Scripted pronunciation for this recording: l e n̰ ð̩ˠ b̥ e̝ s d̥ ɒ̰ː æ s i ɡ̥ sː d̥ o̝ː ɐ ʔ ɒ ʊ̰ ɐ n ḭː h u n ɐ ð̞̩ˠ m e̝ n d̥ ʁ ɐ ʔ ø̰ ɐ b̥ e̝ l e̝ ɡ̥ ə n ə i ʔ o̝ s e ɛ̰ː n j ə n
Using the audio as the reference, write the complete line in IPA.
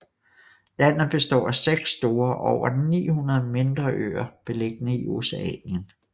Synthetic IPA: l æ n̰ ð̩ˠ b̥ e̝ s d̥ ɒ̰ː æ s e ɡ̥ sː d̥ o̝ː ɐ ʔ ɒ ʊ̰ ɐ n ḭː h u n ɐ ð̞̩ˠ m e̝ n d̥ ʁ ɐ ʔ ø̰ ɐ b̥ e̝ l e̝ ɡ̥ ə n ə i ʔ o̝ s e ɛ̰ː n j ə n

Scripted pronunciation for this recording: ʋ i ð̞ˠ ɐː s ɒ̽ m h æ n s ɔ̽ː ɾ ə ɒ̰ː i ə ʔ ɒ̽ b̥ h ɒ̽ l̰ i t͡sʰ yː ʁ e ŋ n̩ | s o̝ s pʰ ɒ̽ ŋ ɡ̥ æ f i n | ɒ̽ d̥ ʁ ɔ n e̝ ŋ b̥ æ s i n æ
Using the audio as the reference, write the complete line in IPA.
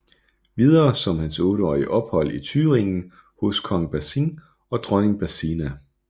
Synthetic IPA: ʋ i ð̞ˠ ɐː s ɒ̽ m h æ n s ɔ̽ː ɾ ə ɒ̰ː i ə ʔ ɒ̽ b̥ h ɒ̽ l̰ i t͡sʰ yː ʁ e ŋ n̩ | h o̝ s kʰ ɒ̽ ŋ b̥ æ s i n | ɒ̽ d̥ ʁ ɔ n e̝ ŋ b̥ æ s i n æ

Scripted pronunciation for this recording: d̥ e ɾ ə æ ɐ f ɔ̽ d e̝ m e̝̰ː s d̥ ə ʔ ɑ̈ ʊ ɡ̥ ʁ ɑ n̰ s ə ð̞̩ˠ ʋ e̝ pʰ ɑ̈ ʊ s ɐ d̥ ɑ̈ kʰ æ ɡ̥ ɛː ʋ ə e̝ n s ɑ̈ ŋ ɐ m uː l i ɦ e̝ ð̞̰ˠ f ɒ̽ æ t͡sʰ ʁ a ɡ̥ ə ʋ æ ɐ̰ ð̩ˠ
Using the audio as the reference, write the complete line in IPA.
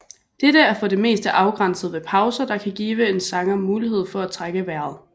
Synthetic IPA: d̥ e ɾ ə æ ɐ f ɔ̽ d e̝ m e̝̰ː s d̥ ə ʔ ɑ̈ ʊ ɡ̥ ʁ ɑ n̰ s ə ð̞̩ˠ ʋ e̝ pʰ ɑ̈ ʊ s ɐ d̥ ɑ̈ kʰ æ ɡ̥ iː ʋ ə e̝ n s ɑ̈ ŋ ɐ m uː l i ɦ e̝ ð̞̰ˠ f ɒ̽ æ t͡sʰ ʁ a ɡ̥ ə ʋ æ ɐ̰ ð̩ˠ

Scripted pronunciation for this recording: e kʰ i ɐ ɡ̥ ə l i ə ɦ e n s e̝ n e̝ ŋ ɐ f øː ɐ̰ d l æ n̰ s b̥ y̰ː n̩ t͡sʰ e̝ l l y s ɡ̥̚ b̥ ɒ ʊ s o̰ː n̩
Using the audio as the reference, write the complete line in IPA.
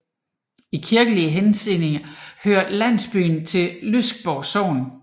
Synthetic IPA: i kʰ i ɐ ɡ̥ ə l i ə ɦ e n s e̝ n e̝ ŋ ɐ h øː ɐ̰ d l æ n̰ s b̥ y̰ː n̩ t͡sʰ e̝ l l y s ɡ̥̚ b̥ ɒ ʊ s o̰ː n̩

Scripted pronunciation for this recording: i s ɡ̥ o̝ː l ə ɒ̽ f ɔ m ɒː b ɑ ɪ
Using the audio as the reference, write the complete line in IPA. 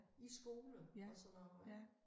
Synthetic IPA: i s ɡ̥ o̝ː l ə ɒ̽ s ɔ n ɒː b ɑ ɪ

